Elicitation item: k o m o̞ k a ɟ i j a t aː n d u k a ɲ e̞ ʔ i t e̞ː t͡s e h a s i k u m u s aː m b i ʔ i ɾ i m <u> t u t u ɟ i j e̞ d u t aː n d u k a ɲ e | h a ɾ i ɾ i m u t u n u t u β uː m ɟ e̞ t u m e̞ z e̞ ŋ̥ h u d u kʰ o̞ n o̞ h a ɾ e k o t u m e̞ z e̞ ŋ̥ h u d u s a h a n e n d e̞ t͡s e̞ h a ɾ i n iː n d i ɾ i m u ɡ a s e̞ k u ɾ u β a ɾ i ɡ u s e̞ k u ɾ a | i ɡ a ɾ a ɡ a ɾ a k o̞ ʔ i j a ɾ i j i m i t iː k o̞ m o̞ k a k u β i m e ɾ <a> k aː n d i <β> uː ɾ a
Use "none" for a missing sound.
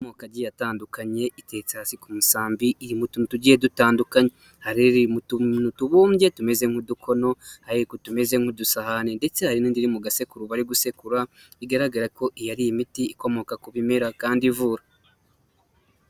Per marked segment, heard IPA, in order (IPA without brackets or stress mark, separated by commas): u, a, v